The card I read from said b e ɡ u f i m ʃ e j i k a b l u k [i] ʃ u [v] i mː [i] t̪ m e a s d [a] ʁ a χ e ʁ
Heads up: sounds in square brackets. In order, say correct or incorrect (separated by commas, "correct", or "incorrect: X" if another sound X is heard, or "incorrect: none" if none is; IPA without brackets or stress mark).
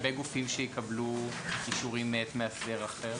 correct, incorrect: ʁ, incorrect: e, incorrect: e